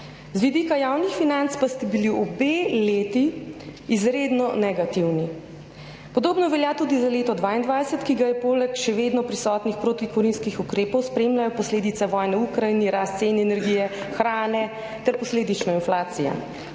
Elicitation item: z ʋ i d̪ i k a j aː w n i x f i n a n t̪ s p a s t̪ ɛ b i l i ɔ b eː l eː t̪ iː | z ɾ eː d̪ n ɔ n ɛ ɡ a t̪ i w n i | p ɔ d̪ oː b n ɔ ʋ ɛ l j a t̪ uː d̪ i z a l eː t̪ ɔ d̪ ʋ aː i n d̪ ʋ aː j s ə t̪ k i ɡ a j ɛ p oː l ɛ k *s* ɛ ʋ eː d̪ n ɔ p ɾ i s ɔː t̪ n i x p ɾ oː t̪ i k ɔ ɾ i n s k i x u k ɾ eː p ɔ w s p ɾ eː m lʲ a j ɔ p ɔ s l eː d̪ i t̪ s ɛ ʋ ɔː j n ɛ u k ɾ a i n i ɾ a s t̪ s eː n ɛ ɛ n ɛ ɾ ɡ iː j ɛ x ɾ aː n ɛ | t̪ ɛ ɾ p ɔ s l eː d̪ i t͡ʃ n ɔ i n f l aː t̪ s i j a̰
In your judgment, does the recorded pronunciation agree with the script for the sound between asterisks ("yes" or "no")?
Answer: no